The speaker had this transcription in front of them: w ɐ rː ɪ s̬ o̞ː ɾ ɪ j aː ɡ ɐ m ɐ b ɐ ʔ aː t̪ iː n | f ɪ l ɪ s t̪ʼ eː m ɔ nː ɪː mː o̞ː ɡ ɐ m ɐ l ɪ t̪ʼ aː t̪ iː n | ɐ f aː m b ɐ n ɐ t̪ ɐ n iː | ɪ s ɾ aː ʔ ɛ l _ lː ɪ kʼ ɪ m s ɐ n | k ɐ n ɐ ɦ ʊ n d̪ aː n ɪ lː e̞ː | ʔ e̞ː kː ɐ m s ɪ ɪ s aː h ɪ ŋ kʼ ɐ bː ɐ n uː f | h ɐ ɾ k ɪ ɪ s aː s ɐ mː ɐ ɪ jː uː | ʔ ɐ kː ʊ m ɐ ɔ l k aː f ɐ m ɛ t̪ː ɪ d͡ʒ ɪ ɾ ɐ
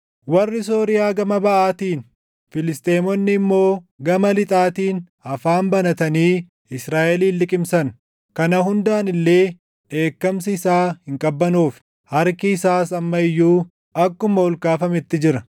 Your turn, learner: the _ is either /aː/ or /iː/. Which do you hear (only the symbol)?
iː